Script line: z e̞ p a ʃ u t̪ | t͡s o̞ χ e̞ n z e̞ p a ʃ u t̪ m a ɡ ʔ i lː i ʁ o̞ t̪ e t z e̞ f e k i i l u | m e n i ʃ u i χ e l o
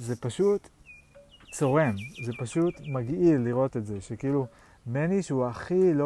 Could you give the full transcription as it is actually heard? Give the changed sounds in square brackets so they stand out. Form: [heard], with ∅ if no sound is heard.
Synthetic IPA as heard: z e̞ p a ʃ u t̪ | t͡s o̞ [ʁ] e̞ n z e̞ p a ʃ u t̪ m a ɡ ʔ i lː i ʁ o̞ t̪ e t z e̞ [ʃ] e k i i l u | m e n i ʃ u [a] χ [i] l o